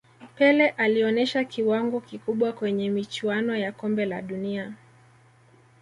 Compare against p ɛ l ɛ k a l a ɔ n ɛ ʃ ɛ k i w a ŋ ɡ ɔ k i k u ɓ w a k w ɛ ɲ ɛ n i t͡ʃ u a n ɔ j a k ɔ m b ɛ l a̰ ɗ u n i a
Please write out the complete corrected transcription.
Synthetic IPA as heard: p ɛ l ɛ ʔ a l i ɔ n ɛ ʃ a k i w a ŋ ɡ ɔ k i k u ɓ w a k w ɛ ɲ ɛ m i t͡ʃ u a n ɔ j a k ɔ m b ɛ l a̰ ɗ u n i a